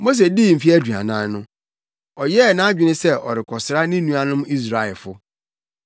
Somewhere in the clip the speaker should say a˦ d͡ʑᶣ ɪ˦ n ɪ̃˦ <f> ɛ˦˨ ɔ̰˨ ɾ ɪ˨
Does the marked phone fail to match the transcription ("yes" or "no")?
yes